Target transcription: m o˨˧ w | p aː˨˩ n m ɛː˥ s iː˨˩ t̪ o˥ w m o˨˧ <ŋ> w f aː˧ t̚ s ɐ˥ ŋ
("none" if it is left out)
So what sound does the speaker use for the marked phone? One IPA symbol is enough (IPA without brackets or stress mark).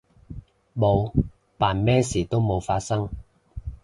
none